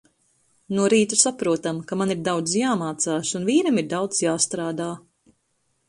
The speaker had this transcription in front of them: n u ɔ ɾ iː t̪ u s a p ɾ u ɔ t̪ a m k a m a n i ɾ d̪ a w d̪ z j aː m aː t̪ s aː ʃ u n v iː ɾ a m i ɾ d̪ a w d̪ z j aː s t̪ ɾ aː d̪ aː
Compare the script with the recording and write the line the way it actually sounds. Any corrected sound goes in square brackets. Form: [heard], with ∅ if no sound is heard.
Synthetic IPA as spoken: n u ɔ ɾ iː t̪ u s a p ɾ u ɔ t̪ a m k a m a n i ɾ d̪ a w d̪ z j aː m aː t̪ s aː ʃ u n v iː ɾ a m i ɾ d̪ a w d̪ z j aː s t̪ ɾ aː d̪ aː